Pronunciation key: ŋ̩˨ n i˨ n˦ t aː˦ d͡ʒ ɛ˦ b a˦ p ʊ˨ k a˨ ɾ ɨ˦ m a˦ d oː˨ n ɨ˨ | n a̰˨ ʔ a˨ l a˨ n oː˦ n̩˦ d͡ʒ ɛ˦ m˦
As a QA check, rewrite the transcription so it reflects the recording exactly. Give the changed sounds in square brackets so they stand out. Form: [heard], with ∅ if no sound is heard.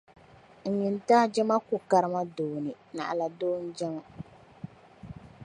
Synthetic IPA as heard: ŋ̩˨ [ɲ] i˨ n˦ t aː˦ d͡ʒ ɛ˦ [m] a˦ [k] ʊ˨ k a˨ ɾ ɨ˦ m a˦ d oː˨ n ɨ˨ | n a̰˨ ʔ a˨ l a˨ [d] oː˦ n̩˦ d͡ʒ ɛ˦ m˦